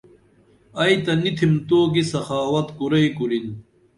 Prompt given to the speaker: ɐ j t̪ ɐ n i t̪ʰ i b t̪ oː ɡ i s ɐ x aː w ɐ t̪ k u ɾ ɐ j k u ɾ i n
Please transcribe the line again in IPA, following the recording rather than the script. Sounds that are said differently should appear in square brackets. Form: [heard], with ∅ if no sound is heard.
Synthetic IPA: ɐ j t̪ ɐ n i t̪ʰ i [m] t̪ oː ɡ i s ɐ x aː w ɐ t̪ k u ɾ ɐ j k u ɾ i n